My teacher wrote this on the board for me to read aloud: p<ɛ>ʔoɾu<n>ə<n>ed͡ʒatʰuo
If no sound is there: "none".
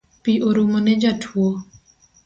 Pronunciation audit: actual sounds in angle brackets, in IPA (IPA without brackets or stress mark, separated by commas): i, m, n